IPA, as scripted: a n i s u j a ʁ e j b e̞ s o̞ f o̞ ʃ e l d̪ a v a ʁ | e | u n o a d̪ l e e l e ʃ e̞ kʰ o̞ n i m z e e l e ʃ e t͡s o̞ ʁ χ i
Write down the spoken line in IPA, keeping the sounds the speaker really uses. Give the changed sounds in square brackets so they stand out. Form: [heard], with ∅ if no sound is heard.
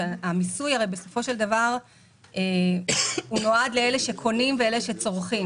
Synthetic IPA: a [m] i s u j a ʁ e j b e̞ s o̞ f o̞ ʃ e l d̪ a v a ʁ | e | u n o a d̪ l e e l e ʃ e̞ kʰ o̞ n i m [v] e e l e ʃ e t͡s o̞ ʁ χ i